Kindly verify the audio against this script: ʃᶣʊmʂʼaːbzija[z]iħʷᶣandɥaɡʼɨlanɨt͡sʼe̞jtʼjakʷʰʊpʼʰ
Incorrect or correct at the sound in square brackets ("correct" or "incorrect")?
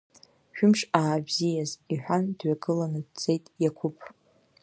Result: correct